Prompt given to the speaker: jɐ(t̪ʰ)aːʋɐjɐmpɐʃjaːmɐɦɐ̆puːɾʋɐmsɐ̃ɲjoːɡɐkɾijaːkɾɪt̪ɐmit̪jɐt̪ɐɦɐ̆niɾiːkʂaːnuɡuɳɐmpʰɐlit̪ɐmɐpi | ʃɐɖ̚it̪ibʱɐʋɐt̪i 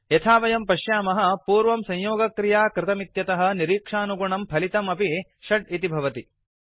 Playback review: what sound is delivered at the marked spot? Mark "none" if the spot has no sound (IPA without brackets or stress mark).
t̪ʰ